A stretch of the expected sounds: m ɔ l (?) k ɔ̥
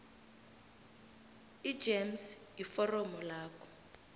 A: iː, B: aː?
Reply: B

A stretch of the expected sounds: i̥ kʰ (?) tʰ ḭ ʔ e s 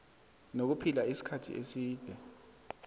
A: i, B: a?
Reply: B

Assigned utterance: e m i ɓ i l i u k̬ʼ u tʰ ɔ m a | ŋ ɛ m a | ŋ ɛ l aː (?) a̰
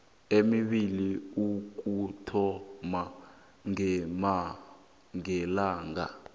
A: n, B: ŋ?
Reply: B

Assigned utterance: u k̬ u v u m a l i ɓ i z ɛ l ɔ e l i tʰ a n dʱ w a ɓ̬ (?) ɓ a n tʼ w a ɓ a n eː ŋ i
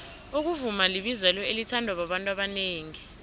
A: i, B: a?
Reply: B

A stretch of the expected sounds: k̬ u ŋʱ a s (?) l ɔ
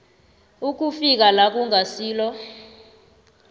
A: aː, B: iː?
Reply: B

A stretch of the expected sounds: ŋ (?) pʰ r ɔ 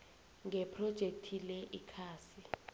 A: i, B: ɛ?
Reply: B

